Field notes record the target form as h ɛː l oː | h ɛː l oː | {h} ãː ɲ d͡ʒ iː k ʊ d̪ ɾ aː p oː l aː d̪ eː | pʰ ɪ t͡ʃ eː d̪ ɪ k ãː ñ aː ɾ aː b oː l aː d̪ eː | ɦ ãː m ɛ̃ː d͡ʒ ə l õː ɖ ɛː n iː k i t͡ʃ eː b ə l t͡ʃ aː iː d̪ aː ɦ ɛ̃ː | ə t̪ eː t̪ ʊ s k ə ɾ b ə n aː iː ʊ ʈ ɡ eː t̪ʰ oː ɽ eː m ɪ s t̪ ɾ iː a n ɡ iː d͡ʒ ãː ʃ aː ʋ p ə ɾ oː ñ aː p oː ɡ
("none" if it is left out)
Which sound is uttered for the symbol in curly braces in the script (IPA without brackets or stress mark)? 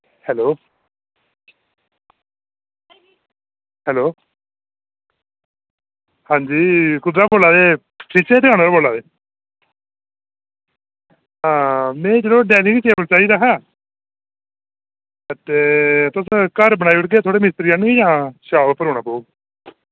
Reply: h